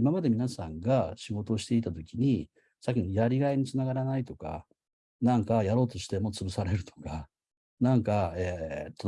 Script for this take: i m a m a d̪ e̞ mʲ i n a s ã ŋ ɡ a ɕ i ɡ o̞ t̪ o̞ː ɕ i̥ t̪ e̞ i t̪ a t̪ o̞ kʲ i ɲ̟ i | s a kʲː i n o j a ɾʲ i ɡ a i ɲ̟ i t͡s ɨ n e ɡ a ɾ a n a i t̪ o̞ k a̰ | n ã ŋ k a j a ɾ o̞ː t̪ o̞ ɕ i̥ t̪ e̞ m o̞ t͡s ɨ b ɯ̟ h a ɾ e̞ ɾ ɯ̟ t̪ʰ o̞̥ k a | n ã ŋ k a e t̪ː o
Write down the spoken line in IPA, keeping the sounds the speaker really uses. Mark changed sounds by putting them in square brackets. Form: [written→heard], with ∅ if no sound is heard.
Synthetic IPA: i m a m a d̪ e̞ mʲ i n a s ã ŋ ɡ a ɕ i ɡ o̞ t̪ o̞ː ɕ i̥ t̪ e̞ i t̪ a t̪ o̞ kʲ i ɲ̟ i | s a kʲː i n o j a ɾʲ i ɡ a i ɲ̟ i t͡s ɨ n [e→a] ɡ a ɾ a n a i t̪ o̞ k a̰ | n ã ŋ k a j a ɾ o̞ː t̪ o̞ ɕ i̥ t̪ e̞ m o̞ t͡s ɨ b ɯ̟ [h→s] a ɾ e̞ ɾ ɯ̟ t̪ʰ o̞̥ k a | n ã ŋ k a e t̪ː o